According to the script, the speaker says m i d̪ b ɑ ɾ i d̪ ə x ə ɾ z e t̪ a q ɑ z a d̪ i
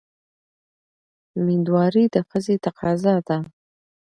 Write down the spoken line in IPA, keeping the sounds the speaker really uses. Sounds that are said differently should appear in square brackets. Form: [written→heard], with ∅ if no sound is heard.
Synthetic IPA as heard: m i d̪ [b→w] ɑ ɾ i d̪ ə x ə [ɾ→∅] z e t̪ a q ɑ z [a→ɑ] d̪ [i→a]